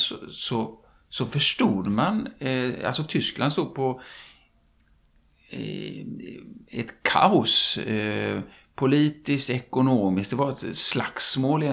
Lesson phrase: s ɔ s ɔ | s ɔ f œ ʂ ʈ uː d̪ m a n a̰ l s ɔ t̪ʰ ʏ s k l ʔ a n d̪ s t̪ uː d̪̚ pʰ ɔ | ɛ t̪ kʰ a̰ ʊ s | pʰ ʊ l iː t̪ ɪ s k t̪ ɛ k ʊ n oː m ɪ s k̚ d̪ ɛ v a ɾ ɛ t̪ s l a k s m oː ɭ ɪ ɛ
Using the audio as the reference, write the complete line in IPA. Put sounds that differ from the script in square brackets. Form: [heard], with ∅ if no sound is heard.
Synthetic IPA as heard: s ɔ s ɔ | s ɔ f œ ʂ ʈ uː d̪ m a n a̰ l s ɔ t̪ʰ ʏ s k l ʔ a n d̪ s t̪ uː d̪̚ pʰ ɔ | ɛ t̪ kʰ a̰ ʊ s | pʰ ʊ l iː t̪ ɪ s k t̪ ɛ k ʊ n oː m ɪ s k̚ d̪ ɛ v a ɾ ɛ t̪ s l a k s m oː [l] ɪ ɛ